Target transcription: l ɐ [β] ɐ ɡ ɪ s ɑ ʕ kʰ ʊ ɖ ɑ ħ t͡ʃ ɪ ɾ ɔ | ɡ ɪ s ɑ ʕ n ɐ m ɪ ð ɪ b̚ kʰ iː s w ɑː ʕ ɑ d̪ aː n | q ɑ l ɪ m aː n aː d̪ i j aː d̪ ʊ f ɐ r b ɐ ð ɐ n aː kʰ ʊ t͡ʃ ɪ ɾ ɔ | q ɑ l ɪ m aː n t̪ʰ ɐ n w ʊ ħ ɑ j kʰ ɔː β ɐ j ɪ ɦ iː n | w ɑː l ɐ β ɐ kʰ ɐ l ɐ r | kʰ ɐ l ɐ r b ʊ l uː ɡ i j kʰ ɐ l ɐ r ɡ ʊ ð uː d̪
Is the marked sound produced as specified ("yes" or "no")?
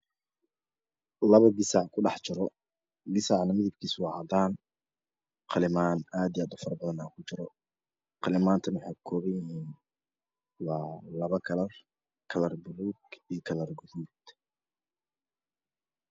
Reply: yes